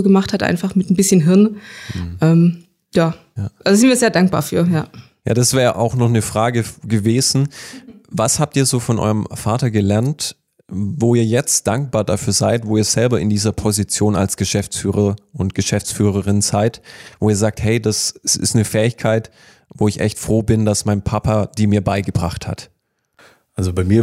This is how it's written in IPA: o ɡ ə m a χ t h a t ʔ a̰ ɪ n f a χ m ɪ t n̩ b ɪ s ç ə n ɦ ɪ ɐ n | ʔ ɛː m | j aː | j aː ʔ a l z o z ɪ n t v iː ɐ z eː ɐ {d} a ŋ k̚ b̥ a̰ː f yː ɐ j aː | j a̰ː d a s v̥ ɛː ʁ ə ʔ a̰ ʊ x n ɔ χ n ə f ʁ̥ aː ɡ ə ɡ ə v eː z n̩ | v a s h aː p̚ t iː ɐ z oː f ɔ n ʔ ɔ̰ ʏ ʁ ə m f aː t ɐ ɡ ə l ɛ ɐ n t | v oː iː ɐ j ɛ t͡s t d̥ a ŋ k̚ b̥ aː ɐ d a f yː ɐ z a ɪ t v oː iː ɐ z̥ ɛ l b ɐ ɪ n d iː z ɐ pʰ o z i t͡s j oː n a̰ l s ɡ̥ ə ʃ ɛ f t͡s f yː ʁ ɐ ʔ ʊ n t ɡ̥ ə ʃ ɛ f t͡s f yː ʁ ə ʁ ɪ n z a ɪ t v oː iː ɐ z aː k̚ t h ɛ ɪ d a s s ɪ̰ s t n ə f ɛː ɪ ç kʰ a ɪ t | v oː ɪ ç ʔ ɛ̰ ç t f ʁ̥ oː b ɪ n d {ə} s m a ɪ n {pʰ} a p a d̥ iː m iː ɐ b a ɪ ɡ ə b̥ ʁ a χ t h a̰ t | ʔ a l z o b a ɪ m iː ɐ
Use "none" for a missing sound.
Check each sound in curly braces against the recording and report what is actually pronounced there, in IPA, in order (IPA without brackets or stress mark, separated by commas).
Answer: d, a, pʰ